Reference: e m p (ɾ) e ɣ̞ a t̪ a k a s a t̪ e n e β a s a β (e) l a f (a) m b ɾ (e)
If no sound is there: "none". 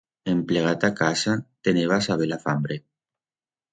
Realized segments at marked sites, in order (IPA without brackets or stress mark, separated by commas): l, e, a, e